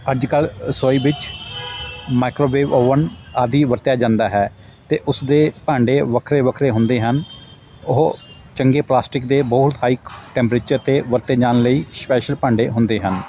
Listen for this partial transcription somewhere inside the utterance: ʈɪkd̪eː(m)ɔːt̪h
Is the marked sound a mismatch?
yes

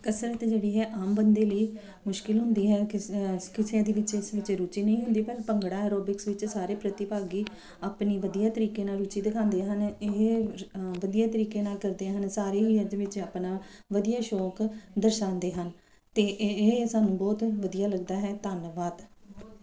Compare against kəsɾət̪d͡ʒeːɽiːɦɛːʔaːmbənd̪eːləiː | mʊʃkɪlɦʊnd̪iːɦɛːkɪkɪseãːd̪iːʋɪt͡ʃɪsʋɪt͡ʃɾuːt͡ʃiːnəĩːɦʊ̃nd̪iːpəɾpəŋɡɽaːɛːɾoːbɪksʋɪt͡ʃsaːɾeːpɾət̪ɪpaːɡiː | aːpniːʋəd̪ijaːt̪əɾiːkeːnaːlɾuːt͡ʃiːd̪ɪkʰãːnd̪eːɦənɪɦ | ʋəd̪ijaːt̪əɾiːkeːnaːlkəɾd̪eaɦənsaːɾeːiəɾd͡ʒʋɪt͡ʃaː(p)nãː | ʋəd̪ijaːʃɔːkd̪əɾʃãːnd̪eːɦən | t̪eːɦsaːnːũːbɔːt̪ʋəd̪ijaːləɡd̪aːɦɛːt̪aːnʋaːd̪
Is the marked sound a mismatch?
no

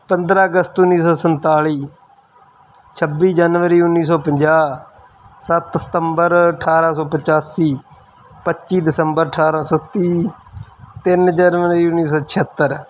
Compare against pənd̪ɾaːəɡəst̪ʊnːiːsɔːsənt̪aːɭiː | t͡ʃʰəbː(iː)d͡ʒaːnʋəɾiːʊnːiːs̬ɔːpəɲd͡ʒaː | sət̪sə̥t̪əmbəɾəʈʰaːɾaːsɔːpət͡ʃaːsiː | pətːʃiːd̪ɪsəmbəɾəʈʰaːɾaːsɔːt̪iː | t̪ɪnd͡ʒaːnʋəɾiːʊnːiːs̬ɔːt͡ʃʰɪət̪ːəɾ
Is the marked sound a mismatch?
no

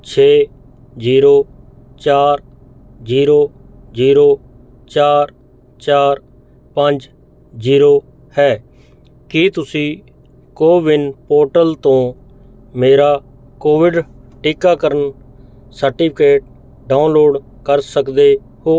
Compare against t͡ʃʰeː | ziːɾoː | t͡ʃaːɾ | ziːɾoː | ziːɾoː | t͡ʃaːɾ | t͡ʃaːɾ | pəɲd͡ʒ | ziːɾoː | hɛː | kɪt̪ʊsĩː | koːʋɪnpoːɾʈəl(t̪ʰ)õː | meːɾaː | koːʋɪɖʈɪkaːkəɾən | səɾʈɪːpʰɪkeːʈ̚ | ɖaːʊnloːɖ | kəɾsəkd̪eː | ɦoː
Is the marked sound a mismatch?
yes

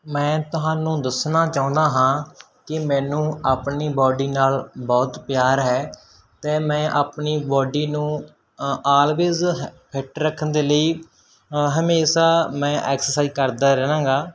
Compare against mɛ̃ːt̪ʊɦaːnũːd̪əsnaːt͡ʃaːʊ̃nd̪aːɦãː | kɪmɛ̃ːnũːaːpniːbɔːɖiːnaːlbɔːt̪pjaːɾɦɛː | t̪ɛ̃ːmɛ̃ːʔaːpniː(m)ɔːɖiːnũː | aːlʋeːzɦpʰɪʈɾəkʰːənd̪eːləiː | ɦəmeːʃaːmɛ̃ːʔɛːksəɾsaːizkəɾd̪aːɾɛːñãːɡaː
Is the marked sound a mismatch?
yes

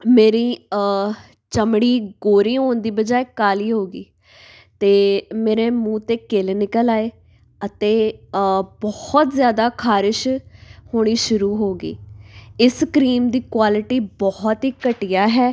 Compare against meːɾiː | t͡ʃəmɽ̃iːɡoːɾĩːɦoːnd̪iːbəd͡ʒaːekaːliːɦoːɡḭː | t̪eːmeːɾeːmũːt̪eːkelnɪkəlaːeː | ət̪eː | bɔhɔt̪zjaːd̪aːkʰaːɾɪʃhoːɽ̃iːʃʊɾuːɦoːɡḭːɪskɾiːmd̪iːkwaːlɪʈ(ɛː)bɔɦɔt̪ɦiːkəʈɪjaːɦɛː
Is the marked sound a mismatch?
yes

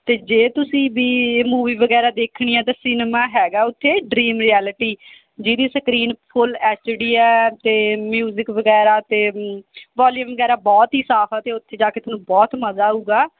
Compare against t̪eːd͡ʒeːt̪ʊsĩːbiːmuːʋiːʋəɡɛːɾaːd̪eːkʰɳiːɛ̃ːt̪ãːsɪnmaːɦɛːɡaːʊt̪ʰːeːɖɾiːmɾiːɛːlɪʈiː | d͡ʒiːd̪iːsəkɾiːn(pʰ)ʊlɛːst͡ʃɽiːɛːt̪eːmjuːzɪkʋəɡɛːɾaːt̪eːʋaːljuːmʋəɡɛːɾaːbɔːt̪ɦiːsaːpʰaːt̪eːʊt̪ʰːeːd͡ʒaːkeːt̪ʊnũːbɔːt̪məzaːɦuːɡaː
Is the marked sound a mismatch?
no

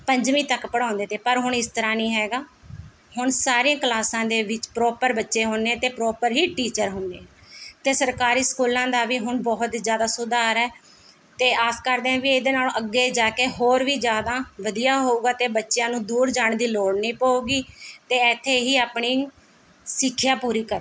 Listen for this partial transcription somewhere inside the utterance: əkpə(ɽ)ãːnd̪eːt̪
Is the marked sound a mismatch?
no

